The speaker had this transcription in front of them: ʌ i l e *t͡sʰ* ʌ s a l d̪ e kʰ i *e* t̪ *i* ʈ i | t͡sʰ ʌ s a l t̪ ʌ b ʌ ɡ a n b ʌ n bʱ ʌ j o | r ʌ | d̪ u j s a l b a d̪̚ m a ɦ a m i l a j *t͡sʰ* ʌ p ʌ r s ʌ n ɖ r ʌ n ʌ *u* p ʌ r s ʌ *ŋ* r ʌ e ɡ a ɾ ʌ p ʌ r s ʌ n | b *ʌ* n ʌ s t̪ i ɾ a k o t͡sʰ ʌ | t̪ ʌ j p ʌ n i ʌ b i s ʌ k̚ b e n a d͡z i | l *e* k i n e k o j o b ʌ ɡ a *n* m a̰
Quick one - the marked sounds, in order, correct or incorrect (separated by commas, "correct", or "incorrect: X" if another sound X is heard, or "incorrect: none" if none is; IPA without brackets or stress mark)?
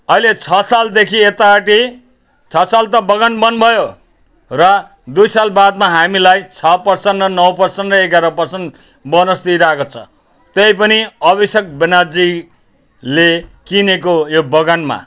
correct, correct, incorrect: a, correct, incorrect: w, incorrect: n, correct, correct, correct